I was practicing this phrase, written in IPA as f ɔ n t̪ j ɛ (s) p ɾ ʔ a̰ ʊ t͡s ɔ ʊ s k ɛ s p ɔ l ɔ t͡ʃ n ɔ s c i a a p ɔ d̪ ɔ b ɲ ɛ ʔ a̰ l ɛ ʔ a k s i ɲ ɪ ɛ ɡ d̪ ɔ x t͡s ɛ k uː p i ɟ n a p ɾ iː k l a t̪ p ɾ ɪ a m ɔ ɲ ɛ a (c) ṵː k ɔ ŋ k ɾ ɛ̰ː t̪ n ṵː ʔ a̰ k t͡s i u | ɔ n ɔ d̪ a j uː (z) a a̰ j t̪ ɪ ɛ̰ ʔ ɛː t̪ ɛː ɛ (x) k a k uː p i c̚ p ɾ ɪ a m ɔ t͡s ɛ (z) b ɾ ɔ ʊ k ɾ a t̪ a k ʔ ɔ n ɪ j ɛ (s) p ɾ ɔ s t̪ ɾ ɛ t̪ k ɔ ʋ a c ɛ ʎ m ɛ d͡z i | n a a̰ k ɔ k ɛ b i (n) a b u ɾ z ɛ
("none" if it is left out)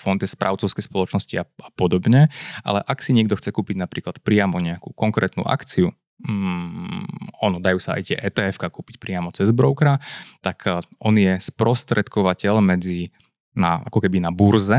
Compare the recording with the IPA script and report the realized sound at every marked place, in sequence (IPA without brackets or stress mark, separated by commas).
s, k, s, f, z, s, n